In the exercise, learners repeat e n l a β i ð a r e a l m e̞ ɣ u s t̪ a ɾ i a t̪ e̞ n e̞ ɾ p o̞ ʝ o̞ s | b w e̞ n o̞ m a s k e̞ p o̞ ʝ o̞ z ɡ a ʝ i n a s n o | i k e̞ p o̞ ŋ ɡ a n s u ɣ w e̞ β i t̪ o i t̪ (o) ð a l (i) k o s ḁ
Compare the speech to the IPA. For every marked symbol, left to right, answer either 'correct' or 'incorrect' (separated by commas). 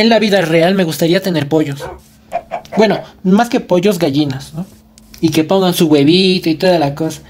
correct, incorrect